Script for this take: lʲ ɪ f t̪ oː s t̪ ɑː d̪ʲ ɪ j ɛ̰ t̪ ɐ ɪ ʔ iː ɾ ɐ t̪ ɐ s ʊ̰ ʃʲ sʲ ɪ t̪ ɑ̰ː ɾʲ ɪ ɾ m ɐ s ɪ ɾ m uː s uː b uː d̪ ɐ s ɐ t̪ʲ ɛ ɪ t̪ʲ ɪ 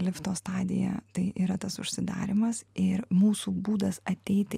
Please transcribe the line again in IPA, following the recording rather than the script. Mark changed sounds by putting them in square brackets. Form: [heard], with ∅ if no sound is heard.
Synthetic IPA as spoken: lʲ ɪ f t̪ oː s t̪ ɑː d̪ʲ ɪ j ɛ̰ t̪ ɐ ɪ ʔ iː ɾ ɐ t̪ ɐ s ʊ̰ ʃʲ sʲ ɪ [d̪] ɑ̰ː ɾʲ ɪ [∅] m ɐ s ɪ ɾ m uː s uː b uː d̪ ɐ s ɐ t̪ʲ ɛ ɪ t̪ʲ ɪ

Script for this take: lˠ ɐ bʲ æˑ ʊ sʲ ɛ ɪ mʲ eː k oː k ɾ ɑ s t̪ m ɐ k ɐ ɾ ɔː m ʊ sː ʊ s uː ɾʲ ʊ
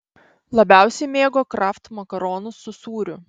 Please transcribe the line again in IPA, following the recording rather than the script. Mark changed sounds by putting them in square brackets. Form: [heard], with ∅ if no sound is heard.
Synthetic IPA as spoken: lˠ ɐ bʲ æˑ ʊ sʲ ɛ ɪ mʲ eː [ɡ] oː k ɾ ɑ [f] t̪ m ɐ k ɐ ɾ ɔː [n] ʊ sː ʊ s uː ɾʲ ʊ

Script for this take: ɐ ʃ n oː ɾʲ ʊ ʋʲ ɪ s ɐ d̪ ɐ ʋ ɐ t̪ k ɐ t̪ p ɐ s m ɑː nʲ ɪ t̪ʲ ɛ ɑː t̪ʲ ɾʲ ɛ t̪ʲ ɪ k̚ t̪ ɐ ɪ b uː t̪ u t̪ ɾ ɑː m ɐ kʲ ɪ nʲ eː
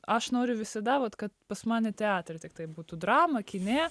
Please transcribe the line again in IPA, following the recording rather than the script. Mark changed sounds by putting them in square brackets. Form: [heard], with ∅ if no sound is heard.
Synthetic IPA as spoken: ɐ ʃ n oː ɾʲ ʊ ʋʲ ɪ s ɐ d̪ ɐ ʋ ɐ t̪ k ɐ t̪ p ɐ s m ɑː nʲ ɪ t̪ʲ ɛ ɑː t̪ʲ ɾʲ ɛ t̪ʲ ɪ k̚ t̪ ɐ ɪ b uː t̪ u [d̪] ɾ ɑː m ɐ kʲ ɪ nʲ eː

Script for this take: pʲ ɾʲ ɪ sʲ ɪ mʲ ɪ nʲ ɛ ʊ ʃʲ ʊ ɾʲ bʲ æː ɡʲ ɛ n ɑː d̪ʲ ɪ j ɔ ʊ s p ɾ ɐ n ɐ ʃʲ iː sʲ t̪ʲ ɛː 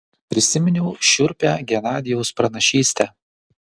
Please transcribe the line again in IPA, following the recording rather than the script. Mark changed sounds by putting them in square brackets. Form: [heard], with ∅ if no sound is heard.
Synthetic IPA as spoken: pʲ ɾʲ ɪ sʲ ɪ mʲ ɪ nʲ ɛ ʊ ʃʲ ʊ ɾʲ [pʲ] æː ɡʲ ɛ n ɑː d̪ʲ ɪ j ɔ ʊ s p ɾ ɐ n ɐ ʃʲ iː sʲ t̪ʲ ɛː

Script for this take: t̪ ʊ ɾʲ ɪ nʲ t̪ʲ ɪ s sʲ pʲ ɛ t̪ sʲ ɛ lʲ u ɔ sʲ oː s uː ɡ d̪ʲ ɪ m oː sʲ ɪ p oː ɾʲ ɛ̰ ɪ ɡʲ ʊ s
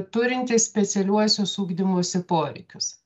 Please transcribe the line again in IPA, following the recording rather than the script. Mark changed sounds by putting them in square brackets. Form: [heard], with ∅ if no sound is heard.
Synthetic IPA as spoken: t̪ ʊ ɾʲ ɪ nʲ t̪ʲ ɪ s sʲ pʲ ɛ t̪ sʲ ɛ lʲ u ɔ sʲ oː s uː ɡ d̪ʲ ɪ m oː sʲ ɪ p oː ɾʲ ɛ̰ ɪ [kʲ] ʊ s

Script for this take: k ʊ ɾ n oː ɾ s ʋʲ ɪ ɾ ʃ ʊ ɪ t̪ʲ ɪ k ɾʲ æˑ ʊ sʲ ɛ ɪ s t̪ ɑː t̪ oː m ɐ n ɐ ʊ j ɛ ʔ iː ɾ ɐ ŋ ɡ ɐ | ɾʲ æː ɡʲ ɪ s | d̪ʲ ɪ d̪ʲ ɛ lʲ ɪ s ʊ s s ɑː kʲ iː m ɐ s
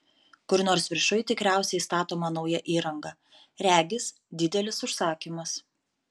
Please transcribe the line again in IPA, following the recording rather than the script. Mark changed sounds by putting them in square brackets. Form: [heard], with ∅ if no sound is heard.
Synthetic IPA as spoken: k ʊ ɾ n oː ɾ s ʋʲ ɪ ɾ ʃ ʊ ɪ t̪ʲ ɪ k ɾʲ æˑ ʊ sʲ ɛ ɪ s t̪ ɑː t̪ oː m ɐ n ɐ ʊ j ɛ ʔ iː ɾ ɐ ŋ ɡ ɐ | ɾʲ æː ɡʲ ɪ s | d̪ʲ ɪ d̪ʲ ɛ lʲ ɪ s ʊ [ʃ] s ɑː kʲ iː m ɐ s

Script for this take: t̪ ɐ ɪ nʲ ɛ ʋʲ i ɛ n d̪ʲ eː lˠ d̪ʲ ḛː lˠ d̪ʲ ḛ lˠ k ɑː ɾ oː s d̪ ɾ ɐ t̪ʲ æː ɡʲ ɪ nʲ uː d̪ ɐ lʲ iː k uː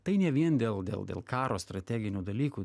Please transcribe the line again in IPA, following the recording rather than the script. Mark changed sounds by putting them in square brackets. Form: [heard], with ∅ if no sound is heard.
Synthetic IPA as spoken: t̪ ɐ ɪ nʲ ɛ ʋʲ i ɛ n d̪ʲ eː lˠ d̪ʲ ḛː lˠ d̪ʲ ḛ lˠ k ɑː ɾ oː s [t̪] ɾ ɐ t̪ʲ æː ɡʲ ɪ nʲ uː d̪ ɐ lʲ iː k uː

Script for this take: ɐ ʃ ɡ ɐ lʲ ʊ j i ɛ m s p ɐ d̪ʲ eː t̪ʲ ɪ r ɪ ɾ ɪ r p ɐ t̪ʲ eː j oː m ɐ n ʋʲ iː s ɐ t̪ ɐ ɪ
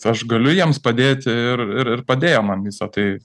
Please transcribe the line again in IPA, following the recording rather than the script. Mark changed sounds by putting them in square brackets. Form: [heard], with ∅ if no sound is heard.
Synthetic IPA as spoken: ɐ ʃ ɡ ɐ lʲ ʊ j i ɛ m s p ɐ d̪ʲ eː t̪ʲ ɪ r ɪ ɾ ɪ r p ɐ [d̪ʲ] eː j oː m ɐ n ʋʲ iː s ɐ t̪ ɐ ɪ

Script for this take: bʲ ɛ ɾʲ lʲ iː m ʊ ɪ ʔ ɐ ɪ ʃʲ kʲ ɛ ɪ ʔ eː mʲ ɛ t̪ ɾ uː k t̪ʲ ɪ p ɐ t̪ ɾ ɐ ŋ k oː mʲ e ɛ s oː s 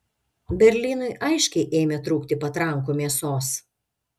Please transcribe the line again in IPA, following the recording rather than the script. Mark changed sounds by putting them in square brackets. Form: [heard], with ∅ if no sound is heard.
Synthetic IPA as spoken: bʲ ɛ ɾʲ lʲ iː [n] ʊ ɪ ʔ ɐ ɪ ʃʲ kʲ ɛ ɪ ʔ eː mʲ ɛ t̪ ɾ uː k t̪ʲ ɪ p ɐ t̪ ɾ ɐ ŋ k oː mʲ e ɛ s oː s

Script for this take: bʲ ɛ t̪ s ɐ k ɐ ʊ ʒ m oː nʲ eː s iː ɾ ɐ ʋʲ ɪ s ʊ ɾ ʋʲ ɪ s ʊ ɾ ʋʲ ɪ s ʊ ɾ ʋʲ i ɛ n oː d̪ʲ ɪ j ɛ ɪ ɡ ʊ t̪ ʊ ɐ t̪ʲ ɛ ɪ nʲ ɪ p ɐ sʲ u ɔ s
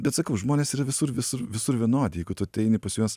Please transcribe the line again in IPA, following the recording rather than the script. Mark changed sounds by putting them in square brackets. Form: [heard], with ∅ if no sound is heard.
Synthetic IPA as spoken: bʲ ɛ t̪ s ɐ k ɐ ʊ ʒ m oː nʲ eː s iː ɾ ɐ ʋʲ ɪ s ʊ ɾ ʋʲ ɪ s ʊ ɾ ʋʲ ɪ s ʊ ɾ ʋʲ i ɛ n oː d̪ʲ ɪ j ɛ ɪ ɡ ʊ t̪ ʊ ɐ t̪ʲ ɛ ɪ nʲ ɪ p ɐ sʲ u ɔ s

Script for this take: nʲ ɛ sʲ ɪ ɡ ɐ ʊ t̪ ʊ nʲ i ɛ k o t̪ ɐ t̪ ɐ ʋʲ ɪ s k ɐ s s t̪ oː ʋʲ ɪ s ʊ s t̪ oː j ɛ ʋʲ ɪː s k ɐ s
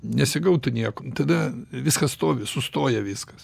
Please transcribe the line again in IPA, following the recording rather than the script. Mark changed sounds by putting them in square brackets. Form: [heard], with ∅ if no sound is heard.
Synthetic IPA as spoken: nʲ ɛ sʲ ɪ ɡ ɐ ʊ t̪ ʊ nʲ i ɛ k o t̪ ɐ [d̪] ɐ ʋʲ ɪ s k ɐ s s t̪ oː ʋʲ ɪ s ʊ s t̪ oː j ɛ ʋʲ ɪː s k ɐ s

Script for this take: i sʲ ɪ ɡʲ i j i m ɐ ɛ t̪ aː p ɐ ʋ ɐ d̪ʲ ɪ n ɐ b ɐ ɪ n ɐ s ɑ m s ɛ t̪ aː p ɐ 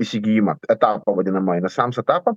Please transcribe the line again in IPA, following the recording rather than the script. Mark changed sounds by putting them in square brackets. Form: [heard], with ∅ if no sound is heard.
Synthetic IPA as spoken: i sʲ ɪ ɡʲ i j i m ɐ ɛ t̪ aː p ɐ ʋ ɐ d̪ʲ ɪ n ɐ [m] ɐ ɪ n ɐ s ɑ m s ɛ t̪ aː p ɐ

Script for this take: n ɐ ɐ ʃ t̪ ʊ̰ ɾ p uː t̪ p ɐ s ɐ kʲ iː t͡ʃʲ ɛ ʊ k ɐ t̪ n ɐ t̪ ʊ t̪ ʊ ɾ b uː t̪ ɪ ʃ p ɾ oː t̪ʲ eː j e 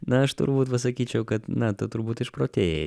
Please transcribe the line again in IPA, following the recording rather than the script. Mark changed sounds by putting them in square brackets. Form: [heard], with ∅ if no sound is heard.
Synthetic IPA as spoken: n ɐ ɐ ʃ t̪ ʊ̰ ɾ [b] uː t̪ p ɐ s ɐ kʲ iː t͡ʃʲ ɛ ʊ k ɐ t̪ n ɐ t̪ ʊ t̪ ʊ ɾ b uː t̪ ɪ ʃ p ɾ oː t̪ʲ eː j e

